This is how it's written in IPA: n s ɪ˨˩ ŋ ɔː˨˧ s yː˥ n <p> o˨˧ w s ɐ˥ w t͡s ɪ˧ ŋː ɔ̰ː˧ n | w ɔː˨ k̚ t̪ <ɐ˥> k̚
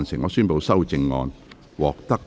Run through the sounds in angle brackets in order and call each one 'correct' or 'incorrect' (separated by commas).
correct, correct